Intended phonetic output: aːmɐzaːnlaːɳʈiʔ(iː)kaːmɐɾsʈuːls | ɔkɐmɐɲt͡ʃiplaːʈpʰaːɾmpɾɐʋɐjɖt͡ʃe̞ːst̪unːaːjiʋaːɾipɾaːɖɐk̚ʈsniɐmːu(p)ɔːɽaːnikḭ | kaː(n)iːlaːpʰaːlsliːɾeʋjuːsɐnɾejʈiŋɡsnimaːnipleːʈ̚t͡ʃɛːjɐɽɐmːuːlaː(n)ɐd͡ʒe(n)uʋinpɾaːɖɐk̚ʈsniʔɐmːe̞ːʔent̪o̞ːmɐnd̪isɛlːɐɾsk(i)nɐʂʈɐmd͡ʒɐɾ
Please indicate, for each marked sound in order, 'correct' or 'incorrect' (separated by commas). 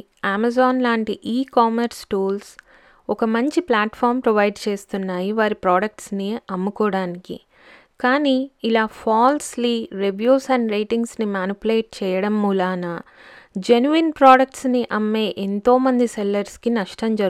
correct, incorrect, correct, correct, correct, correct